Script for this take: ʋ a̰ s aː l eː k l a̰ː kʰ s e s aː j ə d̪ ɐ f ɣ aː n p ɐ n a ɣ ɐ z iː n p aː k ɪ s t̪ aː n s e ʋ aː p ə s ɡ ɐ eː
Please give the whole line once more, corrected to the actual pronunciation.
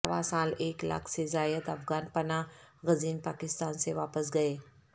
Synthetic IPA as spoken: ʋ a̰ s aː l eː k l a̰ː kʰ s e z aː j ə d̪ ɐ f ɣ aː n p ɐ n a ɣ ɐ z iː n p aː k ɪ s t̪ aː n s e ʋ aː p ə s ɡ ɐ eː